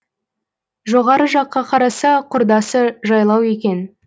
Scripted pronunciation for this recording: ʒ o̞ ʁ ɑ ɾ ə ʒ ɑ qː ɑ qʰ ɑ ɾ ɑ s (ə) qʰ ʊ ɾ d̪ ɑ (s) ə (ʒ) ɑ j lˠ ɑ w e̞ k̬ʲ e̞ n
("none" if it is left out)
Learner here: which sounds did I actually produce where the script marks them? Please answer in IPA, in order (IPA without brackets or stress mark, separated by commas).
ɑ, s, ʒ